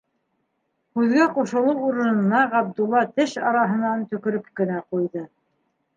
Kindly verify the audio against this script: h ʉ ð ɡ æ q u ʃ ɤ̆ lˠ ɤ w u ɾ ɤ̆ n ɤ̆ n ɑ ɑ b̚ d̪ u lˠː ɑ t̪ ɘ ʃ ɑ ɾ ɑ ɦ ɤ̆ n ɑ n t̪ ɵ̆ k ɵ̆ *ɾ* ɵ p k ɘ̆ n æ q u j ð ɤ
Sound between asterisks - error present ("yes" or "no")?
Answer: no